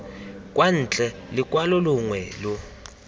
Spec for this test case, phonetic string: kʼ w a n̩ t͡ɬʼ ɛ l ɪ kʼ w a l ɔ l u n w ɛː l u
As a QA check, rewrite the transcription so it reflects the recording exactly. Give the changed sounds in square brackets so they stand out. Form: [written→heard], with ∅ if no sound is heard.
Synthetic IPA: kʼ w a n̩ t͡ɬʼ ɛ l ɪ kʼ w a l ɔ l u [n→ŋ] w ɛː l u